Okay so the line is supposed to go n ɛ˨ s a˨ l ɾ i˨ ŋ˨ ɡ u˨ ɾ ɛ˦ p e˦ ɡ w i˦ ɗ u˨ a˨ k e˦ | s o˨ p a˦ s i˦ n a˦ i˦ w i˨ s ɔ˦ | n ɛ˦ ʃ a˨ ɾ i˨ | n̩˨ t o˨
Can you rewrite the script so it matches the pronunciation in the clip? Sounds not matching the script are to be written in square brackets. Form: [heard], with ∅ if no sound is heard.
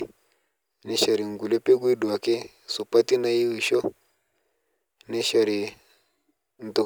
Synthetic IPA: n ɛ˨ [ʃ] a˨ [∅] ɾ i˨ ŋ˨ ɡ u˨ [l] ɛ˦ p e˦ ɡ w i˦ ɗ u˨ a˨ k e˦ | s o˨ p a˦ [t] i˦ n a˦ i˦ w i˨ [ʃ] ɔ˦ | n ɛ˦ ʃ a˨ ɾ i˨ | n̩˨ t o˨

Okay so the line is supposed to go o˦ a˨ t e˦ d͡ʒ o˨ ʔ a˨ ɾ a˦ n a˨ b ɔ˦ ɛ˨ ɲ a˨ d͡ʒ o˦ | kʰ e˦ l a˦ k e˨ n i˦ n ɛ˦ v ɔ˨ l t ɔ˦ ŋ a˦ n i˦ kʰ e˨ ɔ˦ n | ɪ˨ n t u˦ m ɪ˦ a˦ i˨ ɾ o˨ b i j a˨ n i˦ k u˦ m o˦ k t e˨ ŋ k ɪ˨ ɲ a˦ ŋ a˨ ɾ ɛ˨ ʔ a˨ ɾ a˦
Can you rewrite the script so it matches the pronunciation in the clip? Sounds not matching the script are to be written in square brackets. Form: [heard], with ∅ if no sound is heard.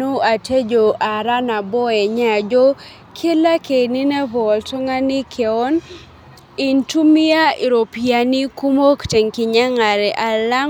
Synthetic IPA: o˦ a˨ t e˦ d͡ʒ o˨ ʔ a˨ ɾ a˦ n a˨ b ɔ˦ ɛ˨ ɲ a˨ d͡ʒ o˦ | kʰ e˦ l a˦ k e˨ n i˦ n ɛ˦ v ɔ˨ l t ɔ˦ ŋ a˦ n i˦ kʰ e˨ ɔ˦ n | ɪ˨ n t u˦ m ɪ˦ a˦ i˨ ɾ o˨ [p] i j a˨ n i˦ k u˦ m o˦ k t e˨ ŋ k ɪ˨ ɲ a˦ ŋ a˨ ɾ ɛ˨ ʔ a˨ [l] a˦

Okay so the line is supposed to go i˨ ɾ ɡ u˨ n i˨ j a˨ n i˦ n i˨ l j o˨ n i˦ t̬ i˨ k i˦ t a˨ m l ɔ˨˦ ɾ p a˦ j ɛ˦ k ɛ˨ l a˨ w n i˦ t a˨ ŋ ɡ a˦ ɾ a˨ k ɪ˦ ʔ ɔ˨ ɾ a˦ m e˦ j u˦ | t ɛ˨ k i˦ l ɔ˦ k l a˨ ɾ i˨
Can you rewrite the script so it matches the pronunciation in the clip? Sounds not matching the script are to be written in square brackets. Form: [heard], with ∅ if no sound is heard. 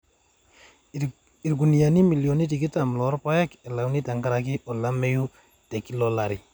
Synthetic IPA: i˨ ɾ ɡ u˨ n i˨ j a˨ n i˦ [m] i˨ l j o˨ n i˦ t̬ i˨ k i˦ t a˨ m l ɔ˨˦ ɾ p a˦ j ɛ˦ k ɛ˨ l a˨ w n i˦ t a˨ ŋ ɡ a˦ ɾ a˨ k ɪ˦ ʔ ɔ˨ [l] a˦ m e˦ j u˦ | t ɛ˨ k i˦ l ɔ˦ [∅] l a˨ ɾ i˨

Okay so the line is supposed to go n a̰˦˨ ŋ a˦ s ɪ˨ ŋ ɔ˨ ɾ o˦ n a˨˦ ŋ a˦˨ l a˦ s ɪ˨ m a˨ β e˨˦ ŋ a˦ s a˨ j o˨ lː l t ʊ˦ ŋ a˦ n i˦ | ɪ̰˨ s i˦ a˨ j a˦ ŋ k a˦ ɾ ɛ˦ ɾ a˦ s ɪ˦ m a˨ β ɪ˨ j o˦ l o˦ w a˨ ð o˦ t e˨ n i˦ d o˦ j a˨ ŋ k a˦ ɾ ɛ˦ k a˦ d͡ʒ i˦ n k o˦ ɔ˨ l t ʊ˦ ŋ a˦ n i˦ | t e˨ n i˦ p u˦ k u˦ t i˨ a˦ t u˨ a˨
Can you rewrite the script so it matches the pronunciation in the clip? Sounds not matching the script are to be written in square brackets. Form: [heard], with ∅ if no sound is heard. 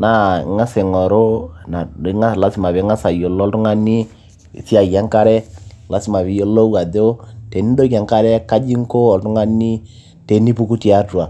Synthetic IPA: n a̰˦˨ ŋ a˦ s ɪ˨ ŋ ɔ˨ ɾ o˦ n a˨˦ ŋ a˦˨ l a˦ s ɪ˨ m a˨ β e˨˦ ŋ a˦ s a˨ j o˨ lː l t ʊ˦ ŋ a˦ n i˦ | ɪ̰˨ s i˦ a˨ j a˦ ŋ k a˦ ɾ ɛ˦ [l] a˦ s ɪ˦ m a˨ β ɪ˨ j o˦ l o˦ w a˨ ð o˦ t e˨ n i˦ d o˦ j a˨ ŋ k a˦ ɾ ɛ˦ k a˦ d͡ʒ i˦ [ŋ] k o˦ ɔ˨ l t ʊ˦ ŋ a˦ n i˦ | t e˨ n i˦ p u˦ k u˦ t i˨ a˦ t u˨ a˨

